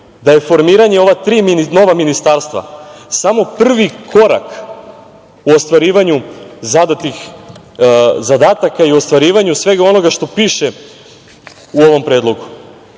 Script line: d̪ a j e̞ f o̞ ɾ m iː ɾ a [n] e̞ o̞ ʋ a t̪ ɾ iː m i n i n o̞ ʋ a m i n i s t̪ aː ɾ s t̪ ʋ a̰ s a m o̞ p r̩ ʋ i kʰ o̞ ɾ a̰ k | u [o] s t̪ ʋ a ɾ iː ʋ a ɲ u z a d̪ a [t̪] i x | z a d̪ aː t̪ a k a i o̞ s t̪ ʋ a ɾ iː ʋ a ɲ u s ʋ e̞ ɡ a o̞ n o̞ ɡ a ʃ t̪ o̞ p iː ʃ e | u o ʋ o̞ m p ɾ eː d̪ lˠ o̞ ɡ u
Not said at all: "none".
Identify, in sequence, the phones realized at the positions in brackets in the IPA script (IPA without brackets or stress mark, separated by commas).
ɲ, o, t̪